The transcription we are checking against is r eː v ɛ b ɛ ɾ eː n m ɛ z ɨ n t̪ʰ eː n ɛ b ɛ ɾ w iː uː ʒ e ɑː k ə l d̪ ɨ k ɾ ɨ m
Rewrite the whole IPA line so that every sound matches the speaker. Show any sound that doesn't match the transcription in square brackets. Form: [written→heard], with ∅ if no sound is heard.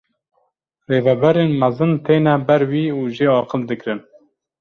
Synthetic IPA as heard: r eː v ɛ b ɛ ɾ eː n m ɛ z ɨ n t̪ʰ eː n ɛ b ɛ ɾ w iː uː ʒ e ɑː [k→q] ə l d̪ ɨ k ɾ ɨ [m→n]

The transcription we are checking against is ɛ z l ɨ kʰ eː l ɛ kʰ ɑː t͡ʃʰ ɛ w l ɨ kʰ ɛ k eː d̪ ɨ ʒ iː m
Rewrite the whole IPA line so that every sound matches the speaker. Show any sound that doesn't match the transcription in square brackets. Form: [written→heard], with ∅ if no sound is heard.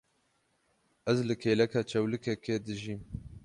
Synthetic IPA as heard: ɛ z l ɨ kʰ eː l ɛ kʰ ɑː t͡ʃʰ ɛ w l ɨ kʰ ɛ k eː d̪ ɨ ʒ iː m

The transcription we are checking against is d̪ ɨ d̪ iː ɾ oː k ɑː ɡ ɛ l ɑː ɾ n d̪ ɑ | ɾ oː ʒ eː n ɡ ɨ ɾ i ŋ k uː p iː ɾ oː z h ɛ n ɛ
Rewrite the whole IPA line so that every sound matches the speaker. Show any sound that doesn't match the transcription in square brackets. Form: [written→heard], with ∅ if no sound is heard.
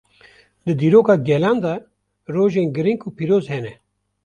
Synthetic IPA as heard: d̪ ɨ d̪ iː ɾ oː k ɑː ɡ ɛ l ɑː [ɾ→∅] n d̪ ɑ | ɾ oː ʒ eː n ɡ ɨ ɾ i ŋ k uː p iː ɾ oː z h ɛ n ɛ

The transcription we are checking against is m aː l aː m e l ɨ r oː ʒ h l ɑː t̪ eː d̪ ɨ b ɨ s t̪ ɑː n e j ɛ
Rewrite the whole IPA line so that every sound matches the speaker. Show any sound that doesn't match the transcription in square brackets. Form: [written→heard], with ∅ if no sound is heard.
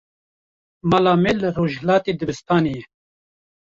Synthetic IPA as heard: m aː l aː m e l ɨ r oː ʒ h l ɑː t̪ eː d̪ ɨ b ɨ s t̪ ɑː n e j ɛ

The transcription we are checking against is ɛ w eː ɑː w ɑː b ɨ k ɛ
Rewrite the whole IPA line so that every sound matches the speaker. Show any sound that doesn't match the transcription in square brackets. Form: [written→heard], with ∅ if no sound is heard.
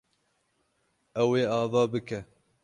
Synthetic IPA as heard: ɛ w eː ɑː [w→v] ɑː b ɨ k ɛ

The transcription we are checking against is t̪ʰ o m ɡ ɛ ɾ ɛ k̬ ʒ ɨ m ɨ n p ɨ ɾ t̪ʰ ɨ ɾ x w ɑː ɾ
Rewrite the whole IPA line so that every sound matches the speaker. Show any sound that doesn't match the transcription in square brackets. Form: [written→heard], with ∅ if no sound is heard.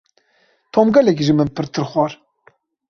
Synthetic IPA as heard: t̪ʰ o m ɡ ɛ [ɾ→l] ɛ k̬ ʒ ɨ m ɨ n p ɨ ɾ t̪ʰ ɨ ɾ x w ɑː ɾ

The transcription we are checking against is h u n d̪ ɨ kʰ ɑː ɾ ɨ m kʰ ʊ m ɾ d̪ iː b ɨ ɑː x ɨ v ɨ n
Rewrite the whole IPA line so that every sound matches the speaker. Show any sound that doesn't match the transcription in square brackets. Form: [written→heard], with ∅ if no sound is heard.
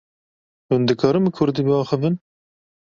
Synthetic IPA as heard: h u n d̪ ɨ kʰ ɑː ɾ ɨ m kʰ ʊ [m→∅] ɾ d̪ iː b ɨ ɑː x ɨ v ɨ n

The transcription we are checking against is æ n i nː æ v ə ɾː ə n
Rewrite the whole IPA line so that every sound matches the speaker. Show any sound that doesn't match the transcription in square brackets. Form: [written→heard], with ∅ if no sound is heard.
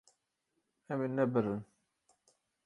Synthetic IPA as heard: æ [n→m] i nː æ [v→b] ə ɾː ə n

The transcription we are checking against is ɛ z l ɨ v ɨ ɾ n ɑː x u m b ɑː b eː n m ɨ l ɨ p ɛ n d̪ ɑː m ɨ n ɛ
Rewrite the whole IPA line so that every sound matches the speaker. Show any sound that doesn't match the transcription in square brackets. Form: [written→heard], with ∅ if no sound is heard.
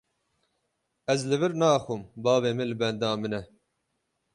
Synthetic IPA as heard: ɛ z l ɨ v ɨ ɾ n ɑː x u m b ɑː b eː [n→∅] m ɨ l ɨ [p→b] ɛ n d̪ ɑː m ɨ n ɛ

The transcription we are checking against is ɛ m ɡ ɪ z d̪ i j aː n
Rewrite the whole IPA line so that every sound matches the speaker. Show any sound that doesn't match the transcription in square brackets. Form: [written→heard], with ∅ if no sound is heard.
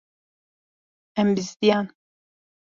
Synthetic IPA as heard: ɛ m [ɡ→b] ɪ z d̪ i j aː n

